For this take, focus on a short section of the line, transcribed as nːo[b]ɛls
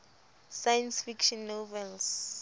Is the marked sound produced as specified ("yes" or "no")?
no